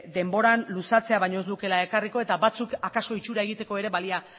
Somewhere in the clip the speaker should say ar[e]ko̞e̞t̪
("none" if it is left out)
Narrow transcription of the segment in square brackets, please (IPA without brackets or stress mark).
i